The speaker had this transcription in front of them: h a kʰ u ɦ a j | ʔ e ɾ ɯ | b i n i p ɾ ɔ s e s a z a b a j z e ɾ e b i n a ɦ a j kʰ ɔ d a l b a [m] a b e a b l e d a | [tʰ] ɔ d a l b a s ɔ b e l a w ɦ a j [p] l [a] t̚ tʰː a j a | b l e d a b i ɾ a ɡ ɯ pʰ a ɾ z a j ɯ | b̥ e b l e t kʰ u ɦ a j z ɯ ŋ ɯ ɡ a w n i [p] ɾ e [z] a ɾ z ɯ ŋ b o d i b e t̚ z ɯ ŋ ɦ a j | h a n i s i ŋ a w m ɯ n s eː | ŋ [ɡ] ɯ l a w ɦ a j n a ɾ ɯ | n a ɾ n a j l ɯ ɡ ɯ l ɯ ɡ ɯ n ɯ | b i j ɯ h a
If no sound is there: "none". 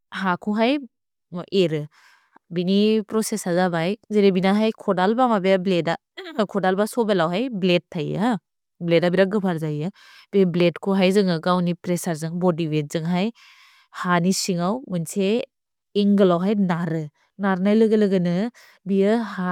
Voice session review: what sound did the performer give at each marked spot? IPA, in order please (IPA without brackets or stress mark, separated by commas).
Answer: m, kʰ, b, e, p, s, ɡ